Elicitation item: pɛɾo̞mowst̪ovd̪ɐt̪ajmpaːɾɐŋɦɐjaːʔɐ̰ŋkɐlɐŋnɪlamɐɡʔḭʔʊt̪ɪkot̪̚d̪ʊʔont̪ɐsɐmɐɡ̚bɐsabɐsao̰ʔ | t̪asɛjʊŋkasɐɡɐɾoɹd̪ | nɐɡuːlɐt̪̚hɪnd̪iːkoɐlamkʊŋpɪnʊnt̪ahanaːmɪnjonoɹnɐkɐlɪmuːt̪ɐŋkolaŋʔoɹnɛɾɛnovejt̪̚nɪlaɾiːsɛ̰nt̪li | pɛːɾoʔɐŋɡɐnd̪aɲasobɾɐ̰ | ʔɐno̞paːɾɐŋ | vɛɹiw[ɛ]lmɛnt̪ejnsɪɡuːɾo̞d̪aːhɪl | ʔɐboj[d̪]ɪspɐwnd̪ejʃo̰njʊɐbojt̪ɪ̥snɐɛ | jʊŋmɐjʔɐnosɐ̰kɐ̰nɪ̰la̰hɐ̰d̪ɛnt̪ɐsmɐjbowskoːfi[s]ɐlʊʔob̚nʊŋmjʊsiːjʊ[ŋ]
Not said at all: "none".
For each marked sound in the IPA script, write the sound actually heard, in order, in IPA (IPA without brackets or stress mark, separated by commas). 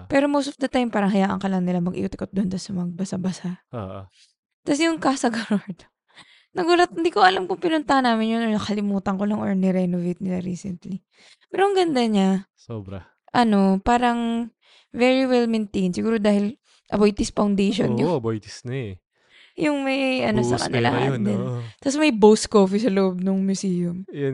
ɛ, t̪, s, m